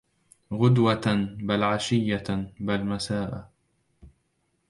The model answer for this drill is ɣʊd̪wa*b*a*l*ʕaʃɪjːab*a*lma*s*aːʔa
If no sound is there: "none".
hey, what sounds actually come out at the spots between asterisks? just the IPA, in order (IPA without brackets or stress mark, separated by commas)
b, l, a, s